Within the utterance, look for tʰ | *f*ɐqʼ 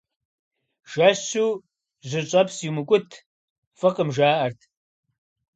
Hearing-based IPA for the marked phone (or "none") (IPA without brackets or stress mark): f